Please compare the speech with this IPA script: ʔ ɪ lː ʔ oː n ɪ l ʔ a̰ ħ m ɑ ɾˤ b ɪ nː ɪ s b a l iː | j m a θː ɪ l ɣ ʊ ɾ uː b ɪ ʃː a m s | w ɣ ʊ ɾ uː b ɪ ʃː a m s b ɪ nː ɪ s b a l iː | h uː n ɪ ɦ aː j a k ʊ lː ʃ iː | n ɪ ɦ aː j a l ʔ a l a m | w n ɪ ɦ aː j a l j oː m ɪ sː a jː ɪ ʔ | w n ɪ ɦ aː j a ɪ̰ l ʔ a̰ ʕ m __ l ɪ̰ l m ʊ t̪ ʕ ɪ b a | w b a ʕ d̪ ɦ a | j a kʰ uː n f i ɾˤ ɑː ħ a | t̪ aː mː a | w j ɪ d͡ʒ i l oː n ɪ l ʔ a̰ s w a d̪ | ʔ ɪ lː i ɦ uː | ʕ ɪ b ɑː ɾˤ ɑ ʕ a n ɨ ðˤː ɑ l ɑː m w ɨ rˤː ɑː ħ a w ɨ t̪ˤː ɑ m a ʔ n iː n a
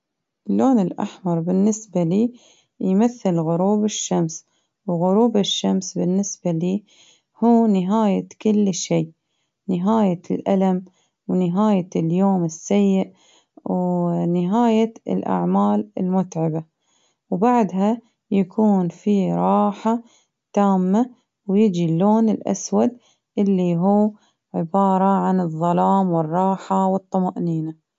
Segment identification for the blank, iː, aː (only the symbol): aː